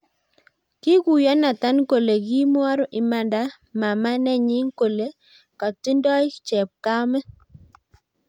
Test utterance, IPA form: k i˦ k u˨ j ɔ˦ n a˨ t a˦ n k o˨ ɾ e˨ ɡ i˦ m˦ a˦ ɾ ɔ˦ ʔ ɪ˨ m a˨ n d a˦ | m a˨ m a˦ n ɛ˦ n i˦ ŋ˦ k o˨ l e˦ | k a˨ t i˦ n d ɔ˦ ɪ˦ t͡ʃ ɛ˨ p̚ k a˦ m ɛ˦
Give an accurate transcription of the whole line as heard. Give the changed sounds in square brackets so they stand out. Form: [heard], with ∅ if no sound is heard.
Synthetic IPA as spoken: k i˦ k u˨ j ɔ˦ n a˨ t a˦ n k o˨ [l] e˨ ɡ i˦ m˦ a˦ ɾ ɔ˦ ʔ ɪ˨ m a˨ n d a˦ | m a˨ m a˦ n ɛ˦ [ɲ] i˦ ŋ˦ k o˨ l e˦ | k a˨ t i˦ n d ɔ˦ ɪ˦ t͡ʃ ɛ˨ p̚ k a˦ m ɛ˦